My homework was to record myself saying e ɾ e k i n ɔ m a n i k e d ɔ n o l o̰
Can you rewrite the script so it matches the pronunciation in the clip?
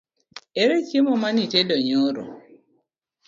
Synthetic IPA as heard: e ɾ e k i m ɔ m a n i t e d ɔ ɲ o ɾ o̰